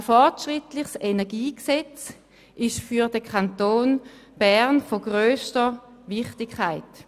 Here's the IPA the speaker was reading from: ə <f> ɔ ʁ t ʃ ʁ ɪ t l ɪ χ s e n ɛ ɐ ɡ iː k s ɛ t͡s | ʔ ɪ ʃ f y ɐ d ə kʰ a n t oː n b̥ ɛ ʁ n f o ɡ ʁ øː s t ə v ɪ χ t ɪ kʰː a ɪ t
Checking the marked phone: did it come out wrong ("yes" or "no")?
no